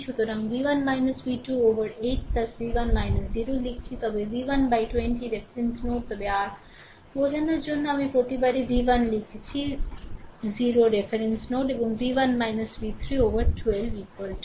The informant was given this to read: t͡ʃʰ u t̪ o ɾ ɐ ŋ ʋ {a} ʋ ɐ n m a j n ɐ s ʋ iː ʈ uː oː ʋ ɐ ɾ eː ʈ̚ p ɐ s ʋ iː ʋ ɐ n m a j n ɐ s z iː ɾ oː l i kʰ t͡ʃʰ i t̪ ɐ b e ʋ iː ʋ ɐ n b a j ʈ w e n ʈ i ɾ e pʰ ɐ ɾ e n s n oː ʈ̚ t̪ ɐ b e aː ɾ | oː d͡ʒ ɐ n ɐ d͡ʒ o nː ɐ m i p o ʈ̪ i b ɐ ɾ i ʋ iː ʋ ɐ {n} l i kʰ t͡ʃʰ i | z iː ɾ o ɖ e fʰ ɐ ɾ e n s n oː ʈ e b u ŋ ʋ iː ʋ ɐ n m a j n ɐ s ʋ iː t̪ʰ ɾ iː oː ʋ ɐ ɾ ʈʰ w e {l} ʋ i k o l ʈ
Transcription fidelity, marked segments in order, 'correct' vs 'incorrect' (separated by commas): incorrect, correct, correct